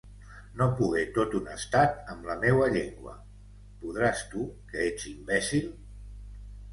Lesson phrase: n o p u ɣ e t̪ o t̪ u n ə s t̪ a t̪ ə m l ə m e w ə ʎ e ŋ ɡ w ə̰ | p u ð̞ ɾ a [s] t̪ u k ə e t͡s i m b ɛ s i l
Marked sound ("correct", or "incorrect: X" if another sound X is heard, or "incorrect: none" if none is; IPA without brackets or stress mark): correct